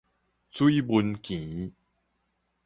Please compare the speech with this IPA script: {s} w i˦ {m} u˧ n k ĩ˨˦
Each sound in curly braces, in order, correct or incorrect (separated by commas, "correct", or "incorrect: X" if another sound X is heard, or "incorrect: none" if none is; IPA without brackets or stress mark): incorrect: t͡s, incorrect: b